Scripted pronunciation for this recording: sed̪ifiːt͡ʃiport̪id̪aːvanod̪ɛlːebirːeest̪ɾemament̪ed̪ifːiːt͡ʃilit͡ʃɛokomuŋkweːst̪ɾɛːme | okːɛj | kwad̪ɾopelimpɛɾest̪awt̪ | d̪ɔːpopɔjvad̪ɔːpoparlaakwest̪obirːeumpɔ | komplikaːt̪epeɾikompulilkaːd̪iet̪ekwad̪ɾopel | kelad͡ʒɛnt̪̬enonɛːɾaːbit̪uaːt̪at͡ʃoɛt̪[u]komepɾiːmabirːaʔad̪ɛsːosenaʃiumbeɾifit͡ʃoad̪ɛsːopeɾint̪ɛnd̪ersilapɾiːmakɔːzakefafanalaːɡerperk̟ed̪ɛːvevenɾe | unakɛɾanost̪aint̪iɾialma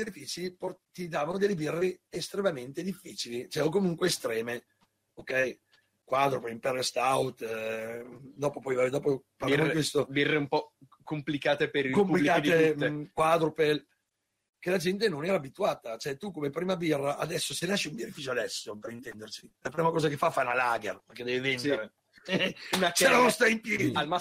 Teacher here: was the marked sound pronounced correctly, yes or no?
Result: yes